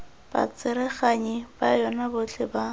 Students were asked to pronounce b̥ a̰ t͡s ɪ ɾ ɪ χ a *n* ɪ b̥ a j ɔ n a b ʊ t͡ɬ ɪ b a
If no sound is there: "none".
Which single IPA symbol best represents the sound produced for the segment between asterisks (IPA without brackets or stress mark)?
ɲ